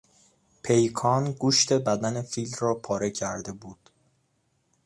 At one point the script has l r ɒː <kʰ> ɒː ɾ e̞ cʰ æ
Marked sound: incorrect: pʰ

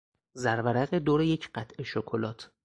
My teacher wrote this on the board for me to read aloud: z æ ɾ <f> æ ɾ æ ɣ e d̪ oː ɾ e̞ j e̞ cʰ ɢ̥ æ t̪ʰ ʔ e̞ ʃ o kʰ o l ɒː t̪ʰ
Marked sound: incorrect: v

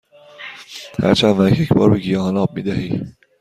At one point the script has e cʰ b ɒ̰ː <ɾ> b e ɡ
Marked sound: correct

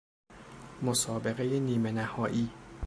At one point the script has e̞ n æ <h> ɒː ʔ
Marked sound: correct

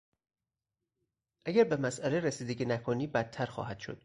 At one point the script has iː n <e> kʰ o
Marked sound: incorrect: æ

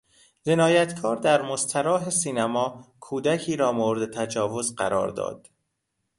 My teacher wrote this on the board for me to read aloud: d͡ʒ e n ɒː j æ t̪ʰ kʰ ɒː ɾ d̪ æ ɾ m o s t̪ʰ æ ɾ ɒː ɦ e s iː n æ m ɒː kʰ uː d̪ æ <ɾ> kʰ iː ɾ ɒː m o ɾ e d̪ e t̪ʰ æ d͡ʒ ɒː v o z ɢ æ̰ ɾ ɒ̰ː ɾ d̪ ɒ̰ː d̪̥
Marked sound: incorrect: none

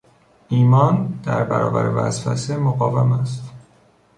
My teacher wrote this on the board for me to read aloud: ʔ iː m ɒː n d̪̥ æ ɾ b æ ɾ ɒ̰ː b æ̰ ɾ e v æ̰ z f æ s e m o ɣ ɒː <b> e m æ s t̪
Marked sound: incorrect: v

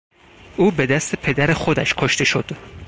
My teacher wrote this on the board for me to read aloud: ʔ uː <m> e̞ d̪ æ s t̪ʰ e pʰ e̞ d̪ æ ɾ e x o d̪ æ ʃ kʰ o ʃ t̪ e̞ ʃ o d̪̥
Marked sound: incorrect: b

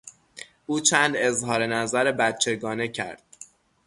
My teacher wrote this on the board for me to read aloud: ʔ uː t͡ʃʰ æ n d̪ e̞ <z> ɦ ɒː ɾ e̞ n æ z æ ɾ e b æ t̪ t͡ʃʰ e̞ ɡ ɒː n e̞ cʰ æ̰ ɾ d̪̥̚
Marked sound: correct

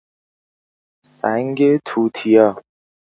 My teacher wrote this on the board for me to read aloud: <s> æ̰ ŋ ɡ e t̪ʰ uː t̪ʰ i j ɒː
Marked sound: correct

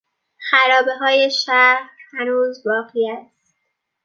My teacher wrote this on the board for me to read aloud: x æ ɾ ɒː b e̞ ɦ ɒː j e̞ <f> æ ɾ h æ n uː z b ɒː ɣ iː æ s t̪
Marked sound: incorrect: ʃ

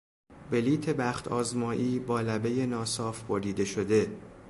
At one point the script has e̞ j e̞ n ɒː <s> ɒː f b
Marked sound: correct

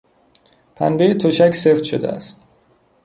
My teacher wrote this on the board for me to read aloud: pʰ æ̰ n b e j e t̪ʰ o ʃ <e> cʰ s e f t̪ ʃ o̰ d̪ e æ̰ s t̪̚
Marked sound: incorrect: æ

